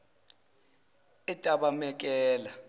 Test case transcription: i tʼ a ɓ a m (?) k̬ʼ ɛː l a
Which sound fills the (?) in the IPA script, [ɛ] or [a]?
ɛ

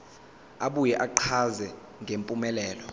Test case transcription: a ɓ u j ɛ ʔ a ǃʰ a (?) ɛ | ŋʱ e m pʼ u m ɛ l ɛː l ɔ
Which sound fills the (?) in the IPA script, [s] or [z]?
z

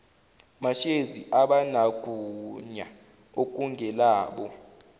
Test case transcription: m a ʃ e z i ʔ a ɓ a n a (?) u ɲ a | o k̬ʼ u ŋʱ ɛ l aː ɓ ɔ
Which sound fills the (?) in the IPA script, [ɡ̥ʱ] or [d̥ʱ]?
ɡ̥ʱ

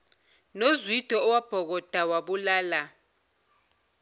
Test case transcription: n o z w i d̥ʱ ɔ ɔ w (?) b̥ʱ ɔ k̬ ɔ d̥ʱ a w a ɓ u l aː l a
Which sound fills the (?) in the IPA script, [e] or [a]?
a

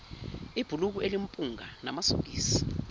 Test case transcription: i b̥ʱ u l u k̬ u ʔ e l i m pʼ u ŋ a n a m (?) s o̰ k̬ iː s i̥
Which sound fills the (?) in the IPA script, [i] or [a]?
a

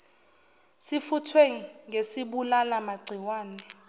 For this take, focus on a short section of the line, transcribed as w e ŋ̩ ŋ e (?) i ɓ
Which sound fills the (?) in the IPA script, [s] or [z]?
s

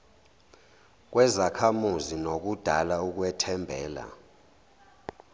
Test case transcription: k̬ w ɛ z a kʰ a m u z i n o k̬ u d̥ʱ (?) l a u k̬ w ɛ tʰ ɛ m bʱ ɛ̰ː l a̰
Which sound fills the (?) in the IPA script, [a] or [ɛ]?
a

